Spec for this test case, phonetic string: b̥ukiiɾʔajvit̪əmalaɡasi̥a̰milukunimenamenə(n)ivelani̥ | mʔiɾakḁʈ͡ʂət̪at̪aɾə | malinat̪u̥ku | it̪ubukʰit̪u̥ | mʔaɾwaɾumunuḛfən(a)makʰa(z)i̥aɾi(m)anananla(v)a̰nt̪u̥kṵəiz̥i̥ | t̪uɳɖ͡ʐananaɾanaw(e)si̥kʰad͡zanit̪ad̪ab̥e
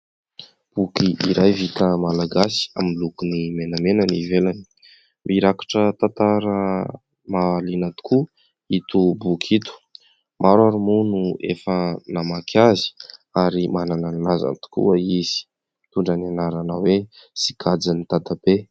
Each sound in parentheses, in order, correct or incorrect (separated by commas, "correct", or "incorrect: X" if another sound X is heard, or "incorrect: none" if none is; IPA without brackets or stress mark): correct, correct, correct, correct, incorrect: z, correct